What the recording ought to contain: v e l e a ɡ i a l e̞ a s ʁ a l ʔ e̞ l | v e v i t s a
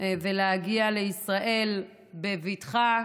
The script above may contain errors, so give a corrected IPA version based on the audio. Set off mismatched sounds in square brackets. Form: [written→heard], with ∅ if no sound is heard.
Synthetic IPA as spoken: v e l e a ɡ i a l e̞ [a→i] s ʁ a [l→∅] ʔ e̞ l | [v→b] e v i t [s→χ] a